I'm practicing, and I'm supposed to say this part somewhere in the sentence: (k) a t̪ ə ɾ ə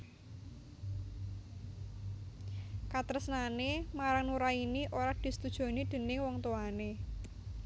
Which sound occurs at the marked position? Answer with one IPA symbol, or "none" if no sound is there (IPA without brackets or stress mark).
k